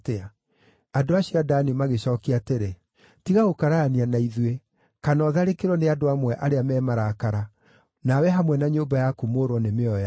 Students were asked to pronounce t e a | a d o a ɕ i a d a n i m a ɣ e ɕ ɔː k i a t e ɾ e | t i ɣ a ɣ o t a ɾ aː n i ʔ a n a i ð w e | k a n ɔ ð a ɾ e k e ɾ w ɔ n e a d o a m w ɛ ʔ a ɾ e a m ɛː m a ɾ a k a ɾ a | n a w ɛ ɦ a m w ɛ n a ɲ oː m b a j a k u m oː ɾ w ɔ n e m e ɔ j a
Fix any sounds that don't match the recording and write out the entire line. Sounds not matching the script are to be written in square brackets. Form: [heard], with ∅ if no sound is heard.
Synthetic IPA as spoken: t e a | a d o a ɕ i a d a n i m a ɣ e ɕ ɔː k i a t e ɾ e | t i ɣ a ɣ o [k] a ɾ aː n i [∅] a n a i ð w e | k a n ɔ ð a ɾ e k e ɾ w ɔ n e a d o a m w ɛ ʔ a ɾ e a m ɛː m a ɾ a k a ɾ a | n a w ɛ ɦ a m w ɛ n a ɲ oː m b a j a k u m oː ɾ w ɔ n e m e ɔ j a